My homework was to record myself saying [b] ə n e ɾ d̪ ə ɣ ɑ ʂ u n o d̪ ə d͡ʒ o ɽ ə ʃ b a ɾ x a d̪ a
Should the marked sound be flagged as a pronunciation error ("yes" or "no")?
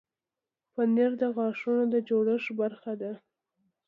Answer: yes